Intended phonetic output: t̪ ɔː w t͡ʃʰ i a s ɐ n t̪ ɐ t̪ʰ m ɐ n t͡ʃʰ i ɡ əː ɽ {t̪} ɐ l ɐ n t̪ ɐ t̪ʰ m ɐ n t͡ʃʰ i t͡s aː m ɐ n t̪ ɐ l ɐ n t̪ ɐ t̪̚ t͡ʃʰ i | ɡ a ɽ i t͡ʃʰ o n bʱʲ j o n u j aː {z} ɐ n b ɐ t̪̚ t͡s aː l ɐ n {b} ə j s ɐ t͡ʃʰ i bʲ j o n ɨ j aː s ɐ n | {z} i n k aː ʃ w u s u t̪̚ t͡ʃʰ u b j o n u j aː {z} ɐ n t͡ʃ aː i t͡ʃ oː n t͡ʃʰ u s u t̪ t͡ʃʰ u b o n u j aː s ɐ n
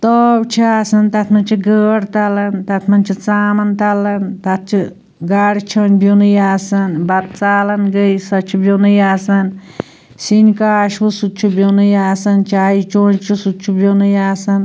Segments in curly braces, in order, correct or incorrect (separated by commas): correct, incorrect, incorrect, incorrect, incorrect